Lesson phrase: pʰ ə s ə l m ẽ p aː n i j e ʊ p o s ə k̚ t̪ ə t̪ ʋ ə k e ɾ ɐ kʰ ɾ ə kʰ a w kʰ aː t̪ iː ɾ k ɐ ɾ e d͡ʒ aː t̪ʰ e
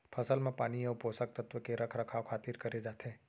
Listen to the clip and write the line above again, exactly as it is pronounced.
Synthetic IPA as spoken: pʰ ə s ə l m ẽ p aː n i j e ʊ p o s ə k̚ t̪ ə t̪ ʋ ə k e ɾ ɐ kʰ ɾ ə kʰ a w kʰ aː t̪ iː ɾ k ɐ ɾ e d͡ʒ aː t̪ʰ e